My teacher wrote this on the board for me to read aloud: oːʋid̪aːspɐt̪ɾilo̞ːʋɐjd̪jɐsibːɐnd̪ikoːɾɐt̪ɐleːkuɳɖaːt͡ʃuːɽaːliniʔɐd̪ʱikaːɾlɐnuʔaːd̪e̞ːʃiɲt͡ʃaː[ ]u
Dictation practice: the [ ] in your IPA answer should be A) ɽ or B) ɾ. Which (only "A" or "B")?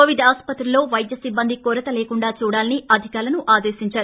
B